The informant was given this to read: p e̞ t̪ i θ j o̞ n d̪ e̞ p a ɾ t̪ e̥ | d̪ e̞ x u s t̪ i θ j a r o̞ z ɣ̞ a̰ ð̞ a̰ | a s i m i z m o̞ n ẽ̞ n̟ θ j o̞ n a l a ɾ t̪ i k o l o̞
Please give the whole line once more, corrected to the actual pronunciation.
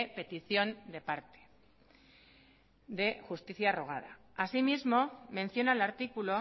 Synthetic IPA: p e̞ t̪ i θ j o̞ n d̪ e̞ p a ɾ t̪ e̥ | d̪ e̞ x u s t̪ i θ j a r o̞ ɣ̞ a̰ ð̞ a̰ | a s i m i z m o̞ m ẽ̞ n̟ θ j o̞ n a l a ɾ t̪ i k u l o̞